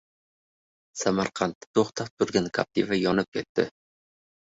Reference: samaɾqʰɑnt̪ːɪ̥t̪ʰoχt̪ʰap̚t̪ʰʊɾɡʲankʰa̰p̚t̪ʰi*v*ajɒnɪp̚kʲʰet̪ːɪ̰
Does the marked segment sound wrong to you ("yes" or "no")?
no